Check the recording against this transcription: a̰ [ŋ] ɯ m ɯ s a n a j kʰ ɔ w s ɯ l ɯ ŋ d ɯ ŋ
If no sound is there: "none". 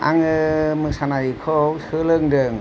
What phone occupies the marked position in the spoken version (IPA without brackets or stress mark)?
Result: ŋ